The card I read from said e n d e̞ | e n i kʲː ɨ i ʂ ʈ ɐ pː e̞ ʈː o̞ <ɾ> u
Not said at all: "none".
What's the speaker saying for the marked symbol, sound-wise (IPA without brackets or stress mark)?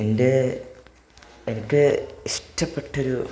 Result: ɾ